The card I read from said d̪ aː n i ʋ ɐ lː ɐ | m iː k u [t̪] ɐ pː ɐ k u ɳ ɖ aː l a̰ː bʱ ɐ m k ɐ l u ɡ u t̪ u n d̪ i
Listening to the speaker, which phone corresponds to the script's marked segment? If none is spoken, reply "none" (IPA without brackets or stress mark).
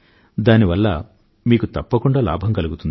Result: t̪